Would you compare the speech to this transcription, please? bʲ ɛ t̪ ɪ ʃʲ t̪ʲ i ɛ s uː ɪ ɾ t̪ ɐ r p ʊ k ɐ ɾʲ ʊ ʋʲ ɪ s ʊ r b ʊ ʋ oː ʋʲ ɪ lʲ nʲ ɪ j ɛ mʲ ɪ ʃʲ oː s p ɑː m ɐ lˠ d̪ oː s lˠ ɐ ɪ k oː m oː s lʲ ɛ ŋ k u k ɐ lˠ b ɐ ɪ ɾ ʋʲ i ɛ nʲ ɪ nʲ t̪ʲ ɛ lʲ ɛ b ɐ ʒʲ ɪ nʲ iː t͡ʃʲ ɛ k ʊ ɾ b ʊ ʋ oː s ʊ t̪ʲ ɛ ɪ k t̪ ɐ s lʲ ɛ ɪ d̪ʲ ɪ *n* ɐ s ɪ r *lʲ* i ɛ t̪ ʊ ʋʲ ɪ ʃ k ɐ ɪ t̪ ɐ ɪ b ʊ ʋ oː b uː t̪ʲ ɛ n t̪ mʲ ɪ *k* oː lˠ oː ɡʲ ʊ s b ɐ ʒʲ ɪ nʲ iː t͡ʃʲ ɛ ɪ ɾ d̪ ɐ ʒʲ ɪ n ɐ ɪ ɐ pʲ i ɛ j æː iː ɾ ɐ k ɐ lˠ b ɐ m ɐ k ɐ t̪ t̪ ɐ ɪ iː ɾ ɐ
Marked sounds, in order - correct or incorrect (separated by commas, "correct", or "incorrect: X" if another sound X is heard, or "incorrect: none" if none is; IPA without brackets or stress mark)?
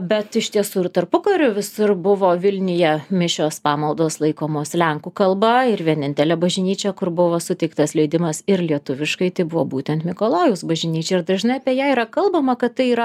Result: incorrect: m, correct, correct